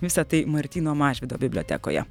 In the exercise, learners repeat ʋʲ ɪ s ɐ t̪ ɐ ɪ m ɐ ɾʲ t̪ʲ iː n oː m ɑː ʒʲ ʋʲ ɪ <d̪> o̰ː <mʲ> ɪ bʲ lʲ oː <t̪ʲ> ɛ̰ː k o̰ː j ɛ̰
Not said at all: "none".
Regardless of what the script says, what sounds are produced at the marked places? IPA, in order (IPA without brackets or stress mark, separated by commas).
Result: d̪, bʲ, t̪ʲ